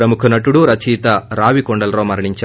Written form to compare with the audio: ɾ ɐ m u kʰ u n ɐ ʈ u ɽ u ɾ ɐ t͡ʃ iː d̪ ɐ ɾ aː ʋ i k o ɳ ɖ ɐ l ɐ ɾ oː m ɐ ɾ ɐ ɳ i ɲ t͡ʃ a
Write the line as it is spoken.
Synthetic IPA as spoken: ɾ ɐ m u kʰ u n ɐ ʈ u ɽ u ɾ ɐ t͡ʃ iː t̪ ɐ ɾ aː ʋ i k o ɳ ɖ ɐ l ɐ ɾ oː m ɐ ɾ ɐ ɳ i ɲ t͡ʃ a